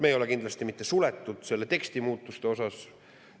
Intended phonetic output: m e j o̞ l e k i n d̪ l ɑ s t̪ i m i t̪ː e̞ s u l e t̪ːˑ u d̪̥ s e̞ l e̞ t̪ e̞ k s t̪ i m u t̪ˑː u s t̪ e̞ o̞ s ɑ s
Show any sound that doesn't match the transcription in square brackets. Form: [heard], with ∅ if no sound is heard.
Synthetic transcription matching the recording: m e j o̞ l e k i n d̪ l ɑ s t̪ i m i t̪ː e̞ s u l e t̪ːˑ u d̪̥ s e̞ [lː] e̞ t̪ e̞ k s t̪ i m [uː] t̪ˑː u s t̪ e̞ o̞ s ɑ s